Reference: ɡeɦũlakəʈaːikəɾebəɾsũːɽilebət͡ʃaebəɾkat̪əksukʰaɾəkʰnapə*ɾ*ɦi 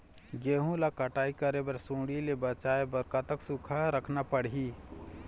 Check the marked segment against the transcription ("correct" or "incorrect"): incorrect